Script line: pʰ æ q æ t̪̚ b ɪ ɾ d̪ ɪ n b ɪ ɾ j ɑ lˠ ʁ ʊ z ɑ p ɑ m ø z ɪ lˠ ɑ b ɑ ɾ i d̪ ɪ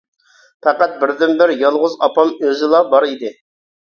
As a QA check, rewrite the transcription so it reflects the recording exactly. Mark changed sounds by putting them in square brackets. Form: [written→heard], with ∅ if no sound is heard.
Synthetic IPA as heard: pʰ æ q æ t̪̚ b ɪ ɾ d̪ ɪ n b ɪ ɾ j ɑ lˠ ʁ ʊ z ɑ p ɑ m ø z ɪ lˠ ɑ b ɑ ɾ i d̪ ɪ